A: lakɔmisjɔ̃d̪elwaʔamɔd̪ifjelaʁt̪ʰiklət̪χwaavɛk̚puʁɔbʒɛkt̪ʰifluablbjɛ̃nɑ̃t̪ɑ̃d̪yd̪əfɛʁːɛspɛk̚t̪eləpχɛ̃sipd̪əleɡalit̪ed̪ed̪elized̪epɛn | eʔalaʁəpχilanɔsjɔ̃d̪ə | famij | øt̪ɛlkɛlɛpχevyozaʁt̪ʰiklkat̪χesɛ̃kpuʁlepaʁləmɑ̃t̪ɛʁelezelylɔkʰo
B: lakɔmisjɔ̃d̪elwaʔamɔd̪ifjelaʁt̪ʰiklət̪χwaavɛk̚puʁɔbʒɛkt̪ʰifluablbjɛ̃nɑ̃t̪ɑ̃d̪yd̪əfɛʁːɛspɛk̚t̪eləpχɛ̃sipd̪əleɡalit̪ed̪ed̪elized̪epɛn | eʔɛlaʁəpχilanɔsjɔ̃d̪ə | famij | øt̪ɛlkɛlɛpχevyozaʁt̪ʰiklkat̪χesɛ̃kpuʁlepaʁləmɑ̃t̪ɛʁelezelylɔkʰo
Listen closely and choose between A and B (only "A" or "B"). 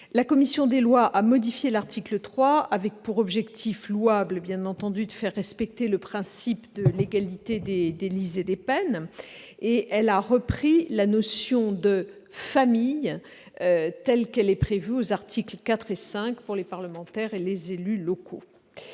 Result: B